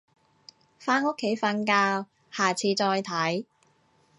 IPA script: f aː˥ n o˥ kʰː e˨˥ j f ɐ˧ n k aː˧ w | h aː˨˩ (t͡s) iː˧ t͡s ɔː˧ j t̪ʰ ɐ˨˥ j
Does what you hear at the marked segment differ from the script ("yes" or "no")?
yes